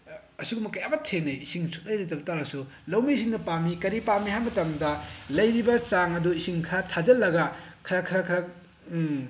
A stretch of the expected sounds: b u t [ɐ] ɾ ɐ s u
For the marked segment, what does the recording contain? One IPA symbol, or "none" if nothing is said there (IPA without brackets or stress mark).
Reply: a